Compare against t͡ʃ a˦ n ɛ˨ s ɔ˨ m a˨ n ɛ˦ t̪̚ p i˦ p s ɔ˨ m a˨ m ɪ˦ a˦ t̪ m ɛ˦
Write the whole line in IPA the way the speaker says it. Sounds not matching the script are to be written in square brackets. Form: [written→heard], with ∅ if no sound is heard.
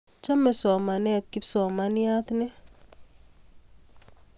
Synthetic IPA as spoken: t͡ʃ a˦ [n→m] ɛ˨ s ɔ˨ m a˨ n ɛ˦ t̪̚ [p→k] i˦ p s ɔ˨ m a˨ [m→n] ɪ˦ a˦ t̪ [m→n] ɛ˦